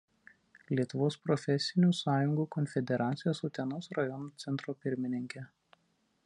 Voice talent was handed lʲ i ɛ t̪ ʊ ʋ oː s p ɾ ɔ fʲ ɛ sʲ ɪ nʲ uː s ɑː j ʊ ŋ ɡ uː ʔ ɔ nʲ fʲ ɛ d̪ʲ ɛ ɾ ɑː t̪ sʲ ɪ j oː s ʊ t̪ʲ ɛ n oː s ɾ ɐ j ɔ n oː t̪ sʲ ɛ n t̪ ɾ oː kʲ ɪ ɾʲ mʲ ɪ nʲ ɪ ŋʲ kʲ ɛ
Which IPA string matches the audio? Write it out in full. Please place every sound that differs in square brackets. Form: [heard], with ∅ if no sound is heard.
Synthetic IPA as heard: lʲ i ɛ t̪ ʊ ʋ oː s p ɾ ɔ fʲ ɛ sʲ ɪ nʲ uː s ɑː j ʊ ŋ ɡ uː [k] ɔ nʲ fʲ ɛ d̪ʲ ɛ ɾ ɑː t̪ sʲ ɪ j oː s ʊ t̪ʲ ɛ n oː s ɾ ɐ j ɔ n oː t̪ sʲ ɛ n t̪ ɾ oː [pʲ] ɪ ɾʲ mʲ ɪ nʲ ɪ ŋʲ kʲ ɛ